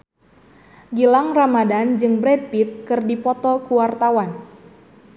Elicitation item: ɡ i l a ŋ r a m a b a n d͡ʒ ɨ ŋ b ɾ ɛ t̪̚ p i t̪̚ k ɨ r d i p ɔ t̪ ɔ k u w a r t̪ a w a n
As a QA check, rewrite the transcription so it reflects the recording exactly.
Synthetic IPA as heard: ɡ i l a ŋ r a m a d a n d͡ʒ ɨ ŋ b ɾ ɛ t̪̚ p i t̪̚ k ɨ r d i p ɔ t̪ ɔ k u w a r t̪ a w a n

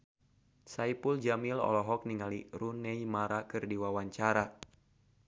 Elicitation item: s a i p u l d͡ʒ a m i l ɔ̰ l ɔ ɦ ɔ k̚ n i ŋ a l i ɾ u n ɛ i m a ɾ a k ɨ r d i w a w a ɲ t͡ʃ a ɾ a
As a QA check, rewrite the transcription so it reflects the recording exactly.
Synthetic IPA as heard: s a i p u l d͡ʒ a m i l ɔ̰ l ɔ ɦ ɔ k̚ n i ŋ a l i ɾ u n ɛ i m a ɾ a k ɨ r d i w a w a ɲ t͡ʃ a ɾ a

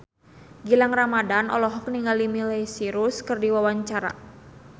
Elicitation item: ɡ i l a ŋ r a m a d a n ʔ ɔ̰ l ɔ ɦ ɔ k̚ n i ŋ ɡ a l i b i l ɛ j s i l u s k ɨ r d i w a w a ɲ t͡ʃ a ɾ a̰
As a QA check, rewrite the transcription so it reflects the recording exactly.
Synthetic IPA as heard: ɡ i l a ŋ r a m a d a n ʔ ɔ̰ l ɔ ɦ ɔ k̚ n i ŋ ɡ a l i m i l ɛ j s i ɾ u s k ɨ r d i w a w a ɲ t͡ʃ a ɾ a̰

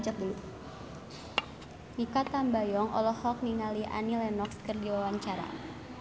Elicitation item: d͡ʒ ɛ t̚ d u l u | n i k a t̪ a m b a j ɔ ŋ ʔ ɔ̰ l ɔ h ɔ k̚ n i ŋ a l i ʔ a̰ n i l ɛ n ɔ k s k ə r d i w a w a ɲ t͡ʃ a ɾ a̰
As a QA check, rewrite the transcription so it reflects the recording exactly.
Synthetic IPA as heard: d͡ʒ a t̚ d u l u | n i k a t̪ a m b a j ɔ ŋ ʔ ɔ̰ l ɔ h ɔ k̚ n i ŋ a l i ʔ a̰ n i l ɛ n ɔ k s k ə r d i w a w a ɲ t͡ʃ a ɾ a̰

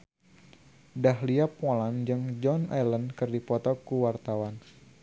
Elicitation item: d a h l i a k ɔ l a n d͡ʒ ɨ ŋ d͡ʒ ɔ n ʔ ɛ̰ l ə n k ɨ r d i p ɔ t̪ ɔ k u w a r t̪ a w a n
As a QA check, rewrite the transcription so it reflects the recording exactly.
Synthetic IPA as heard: d a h l i a p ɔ l a n d͡ʒ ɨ ŋ d͡ʒ ɔ n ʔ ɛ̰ l ə n k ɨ r d i p ɔ t̪ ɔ k u w a r t̪ a w a n

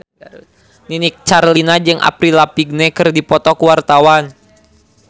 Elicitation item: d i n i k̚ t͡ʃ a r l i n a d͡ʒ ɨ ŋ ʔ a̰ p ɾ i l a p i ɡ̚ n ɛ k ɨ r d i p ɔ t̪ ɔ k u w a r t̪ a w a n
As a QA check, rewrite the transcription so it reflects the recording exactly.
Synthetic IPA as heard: n i n i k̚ t͡ʃ a r l i n a d͡ʒ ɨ ŋ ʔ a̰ p ɾ i l a p i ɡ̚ n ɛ k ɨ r d i p ɔ t̪ ɔ k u w a r t̪ a w a n

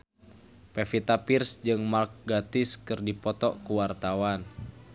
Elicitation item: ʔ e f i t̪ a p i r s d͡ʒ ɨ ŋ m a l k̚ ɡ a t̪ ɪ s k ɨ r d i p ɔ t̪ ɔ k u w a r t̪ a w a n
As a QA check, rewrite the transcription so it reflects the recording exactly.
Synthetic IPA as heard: p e f i t̪ a p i r s d͡ʒ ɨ ŋ m a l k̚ ɡ a t̪ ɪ s k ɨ r d i p ɔ t̪ ɔ k u w a r t̪ a w a n

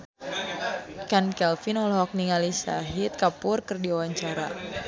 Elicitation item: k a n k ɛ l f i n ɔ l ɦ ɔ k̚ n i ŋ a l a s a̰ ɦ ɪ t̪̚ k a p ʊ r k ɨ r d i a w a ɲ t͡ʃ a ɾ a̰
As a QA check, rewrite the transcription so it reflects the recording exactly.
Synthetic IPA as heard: k a n k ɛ l f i n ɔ l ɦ ɔ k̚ n i ŋ a l i s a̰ ɦ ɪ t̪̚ k a p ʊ r k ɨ r d i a w a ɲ t͡ʃ a ɾ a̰

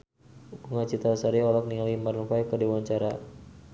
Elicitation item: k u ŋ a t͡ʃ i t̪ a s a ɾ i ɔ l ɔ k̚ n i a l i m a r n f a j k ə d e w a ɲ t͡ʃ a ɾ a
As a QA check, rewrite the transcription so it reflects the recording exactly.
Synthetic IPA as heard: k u ŋ a t͡ʃ i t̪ a s a ɾ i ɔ l ɔ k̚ n i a l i m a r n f a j k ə d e w a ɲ t͡ʃ a ɾ a

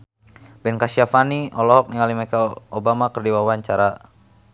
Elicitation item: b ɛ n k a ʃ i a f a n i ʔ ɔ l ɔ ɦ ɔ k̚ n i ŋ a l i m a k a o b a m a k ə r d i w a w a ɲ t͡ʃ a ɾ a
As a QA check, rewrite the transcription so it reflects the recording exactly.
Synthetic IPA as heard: b ɛ n k a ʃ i a f a n i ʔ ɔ l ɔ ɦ ɔ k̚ n i ŋ a l i m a k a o b a m a k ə r d i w a w a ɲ t͡ʃ a ɾ a

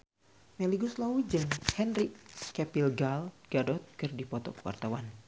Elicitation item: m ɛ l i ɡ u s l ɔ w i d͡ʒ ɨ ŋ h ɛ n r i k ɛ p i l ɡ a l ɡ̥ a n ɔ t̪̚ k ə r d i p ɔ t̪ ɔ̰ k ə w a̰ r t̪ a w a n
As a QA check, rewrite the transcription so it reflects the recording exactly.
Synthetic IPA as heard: m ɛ l i ɡ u s l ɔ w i d͡ʒ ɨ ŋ h ɛ n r i k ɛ p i l ɡ a l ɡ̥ a d ɔ t̪̚ k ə r d i p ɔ t̪ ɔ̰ k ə w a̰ r t̪ a w a n

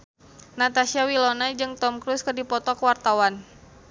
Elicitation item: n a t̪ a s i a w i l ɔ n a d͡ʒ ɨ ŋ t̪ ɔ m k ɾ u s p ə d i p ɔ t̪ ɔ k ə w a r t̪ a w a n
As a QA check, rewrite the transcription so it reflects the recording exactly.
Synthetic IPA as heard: n a t̪ a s i a w i l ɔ n a d͡ʒ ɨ ŋ t̪ ɔ m k ɾ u s k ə d i p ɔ t̪ ɔ k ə w a r t̪ a w a n

